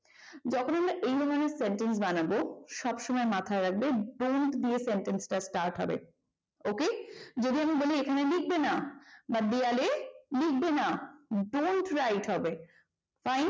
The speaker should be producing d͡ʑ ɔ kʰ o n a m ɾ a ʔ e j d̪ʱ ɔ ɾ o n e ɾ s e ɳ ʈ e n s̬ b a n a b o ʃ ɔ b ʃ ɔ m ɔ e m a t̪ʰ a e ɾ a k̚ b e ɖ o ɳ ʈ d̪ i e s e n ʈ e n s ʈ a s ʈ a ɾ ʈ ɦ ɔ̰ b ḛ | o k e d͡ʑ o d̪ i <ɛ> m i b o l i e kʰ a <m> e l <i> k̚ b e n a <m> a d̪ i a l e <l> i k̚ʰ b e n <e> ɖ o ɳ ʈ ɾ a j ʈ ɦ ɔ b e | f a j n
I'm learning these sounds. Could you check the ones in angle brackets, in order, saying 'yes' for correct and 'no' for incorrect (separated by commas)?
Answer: no, no, yes, no, yes, no